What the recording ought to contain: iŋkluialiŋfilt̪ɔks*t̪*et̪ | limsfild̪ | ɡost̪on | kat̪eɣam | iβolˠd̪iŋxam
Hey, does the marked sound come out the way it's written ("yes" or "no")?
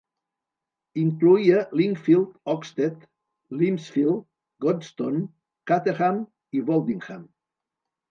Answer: yes